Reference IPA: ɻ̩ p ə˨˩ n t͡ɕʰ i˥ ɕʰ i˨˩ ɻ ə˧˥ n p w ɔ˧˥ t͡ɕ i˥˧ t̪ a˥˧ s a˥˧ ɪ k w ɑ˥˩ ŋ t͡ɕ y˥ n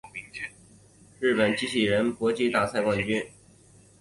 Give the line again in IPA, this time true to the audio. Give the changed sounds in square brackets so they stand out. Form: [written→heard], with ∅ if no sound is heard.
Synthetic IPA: ɻ̩ p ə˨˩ n [t͡ɕʰ→t͡ɕ] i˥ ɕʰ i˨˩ ɻ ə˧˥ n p w ɔ˧˥ t͡ɕ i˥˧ t̪ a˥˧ s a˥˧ ɪ k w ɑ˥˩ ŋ t͡ɕ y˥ n